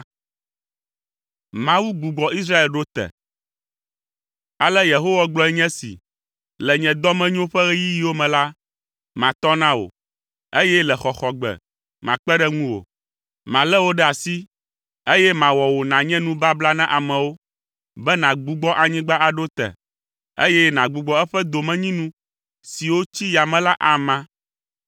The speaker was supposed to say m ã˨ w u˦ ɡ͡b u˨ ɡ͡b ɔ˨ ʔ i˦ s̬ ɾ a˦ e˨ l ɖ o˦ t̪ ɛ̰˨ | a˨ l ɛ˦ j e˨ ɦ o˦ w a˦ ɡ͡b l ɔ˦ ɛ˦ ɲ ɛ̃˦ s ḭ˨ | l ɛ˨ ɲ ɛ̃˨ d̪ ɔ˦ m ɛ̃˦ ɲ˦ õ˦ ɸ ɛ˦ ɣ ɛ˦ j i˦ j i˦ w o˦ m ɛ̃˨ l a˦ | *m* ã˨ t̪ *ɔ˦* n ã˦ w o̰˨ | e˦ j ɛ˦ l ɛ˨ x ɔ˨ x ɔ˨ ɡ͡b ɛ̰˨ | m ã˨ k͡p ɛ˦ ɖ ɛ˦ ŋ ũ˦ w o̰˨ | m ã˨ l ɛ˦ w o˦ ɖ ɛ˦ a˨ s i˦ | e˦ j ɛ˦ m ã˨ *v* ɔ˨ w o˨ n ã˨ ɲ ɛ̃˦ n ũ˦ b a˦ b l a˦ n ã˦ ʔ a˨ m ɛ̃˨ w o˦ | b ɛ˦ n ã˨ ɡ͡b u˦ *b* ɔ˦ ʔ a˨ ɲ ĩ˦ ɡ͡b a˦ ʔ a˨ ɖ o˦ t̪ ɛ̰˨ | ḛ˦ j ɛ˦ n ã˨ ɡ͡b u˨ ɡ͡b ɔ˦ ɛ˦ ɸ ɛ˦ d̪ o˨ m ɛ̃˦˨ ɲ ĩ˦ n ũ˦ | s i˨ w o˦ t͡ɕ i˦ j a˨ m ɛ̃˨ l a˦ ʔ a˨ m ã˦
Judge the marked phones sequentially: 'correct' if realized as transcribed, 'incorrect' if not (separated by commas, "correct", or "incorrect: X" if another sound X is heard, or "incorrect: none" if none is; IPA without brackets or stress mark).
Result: correct, correct, incorrect: w, incorrect: ɡ͡b